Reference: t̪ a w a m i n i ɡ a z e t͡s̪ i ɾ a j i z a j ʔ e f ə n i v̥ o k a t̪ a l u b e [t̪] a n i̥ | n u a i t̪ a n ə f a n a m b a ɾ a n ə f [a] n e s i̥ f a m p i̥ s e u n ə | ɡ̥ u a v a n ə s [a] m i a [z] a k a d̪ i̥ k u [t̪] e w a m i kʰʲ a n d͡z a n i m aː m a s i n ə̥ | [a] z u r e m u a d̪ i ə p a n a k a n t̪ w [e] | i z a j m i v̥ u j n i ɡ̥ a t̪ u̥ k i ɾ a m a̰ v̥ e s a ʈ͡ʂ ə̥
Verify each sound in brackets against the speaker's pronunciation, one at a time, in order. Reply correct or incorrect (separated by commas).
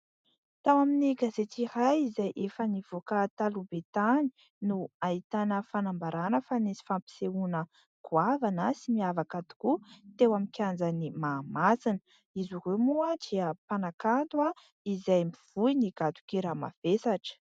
correct, correct, incorrect, incorrect, correct, incorrect, incorrect